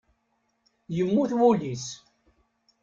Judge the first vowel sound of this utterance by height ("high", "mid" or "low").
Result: mid